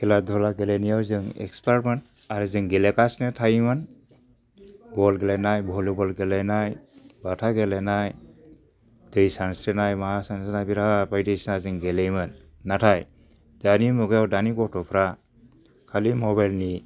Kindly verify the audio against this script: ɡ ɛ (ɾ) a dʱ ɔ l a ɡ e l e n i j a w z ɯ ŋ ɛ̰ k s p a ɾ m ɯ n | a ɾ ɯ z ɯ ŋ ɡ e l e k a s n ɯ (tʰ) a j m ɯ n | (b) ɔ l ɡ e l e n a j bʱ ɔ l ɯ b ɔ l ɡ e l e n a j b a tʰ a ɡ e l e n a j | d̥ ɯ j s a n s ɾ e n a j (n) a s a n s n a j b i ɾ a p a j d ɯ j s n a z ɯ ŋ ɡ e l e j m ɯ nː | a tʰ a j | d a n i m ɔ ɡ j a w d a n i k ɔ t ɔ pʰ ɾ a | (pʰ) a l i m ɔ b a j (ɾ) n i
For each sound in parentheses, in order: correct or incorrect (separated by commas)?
incorrect, correct, correct, incorrect, incorrect, incorrect